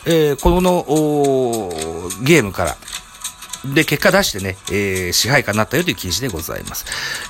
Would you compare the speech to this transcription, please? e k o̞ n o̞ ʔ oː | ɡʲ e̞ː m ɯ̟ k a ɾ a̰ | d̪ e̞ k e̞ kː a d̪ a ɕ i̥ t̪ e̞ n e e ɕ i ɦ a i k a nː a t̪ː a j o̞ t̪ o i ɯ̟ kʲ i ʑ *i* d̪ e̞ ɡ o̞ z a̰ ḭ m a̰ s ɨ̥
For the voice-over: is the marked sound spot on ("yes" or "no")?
yes